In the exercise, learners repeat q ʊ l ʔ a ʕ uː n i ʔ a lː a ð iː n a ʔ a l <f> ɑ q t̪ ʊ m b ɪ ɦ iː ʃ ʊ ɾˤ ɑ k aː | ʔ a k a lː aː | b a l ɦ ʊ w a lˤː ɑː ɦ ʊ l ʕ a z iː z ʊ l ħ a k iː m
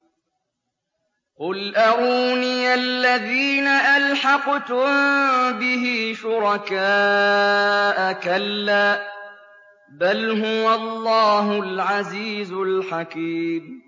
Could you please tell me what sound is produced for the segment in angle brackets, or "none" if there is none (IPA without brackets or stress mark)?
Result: ħ